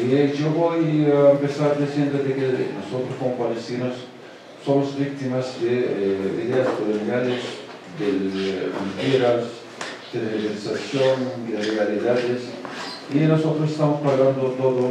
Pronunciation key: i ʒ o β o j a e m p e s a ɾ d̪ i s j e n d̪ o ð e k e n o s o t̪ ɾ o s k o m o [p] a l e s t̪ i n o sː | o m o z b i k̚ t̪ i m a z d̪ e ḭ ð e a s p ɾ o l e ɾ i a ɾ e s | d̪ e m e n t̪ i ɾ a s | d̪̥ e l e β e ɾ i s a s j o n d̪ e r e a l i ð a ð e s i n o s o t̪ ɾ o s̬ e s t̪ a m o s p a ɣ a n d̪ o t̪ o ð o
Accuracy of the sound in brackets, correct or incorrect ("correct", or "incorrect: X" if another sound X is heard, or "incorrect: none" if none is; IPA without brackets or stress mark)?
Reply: correct